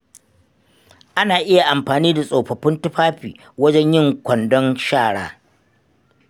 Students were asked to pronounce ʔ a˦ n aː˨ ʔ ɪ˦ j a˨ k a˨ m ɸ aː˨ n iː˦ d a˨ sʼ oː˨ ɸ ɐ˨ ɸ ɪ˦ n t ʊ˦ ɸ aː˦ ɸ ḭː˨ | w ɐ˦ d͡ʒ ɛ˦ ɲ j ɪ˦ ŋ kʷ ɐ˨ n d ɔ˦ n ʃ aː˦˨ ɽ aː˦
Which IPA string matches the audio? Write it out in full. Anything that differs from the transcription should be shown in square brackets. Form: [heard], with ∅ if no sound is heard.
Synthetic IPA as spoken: ʔ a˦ n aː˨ ʔ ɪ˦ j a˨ [ʔ] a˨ m ɸ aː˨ n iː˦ d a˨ sʼ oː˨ ɸ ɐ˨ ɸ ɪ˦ n t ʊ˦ ɸ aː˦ ɸ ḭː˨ | w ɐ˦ d͡ʒ ɛ˦ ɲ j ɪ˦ ŋ kʷ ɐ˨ n d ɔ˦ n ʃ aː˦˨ ɽ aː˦